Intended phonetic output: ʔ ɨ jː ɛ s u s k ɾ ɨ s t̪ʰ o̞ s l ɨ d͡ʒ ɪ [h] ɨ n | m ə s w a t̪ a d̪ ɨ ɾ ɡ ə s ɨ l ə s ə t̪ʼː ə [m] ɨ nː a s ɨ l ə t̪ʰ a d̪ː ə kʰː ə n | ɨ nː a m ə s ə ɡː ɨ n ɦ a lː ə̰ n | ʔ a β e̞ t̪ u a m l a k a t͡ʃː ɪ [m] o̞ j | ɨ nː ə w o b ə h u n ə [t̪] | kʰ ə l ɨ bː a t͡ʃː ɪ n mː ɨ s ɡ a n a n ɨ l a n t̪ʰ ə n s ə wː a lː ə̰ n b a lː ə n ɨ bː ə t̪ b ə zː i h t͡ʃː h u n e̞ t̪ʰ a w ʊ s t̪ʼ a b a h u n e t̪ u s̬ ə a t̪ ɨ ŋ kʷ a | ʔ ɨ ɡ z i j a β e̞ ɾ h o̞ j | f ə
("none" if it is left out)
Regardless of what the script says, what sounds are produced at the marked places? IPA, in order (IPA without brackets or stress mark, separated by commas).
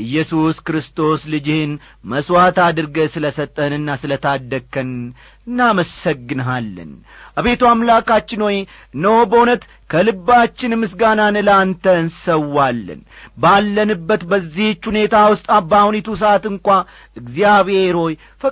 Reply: h, n, n, t̪